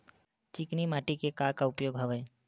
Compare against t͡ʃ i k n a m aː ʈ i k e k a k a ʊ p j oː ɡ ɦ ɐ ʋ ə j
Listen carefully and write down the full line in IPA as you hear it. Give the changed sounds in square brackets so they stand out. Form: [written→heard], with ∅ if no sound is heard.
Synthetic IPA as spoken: t͡ʃ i k n [a→i] m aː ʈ i k e k a k a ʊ p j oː ɡ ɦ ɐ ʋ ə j